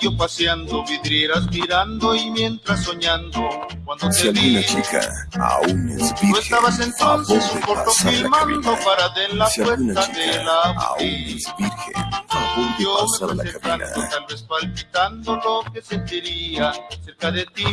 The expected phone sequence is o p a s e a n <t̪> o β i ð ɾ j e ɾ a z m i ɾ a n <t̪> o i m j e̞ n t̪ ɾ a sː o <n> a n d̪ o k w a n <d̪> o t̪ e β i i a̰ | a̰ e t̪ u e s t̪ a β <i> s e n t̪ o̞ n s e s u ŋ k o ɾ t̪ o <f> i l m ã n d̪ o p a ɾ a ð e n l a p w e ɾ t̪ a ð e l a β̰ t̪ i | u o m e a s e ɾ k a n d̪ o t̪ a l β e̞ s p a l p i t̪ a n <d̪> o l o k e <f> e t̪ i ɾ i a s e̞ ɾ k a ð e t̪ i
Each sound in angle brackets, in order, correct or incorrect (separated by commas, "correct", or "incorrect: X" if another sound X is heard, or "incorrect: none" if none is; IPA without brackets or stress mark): incorrect: d̪, incorrect: d̪, incorrect: ɲ, correct, incorrect: a, correct, correct, incorrect: s